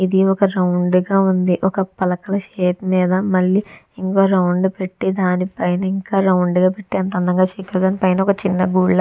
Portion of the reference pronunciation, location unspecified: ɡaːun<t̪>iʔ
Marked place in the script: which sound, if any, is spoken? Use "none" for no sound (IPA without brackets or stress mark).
d̪